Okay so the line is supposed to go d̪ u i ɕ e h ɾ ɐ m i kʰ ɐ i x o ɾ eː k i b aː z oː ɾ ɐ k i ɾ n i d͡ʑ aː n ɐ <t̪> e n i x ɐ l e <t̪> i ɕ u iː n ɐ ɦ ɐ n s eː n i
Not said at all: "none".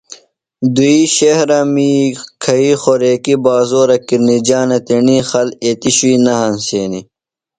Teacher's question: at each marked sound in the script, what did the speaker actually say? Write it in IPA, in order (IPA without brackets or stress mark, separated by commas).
t̪, t̪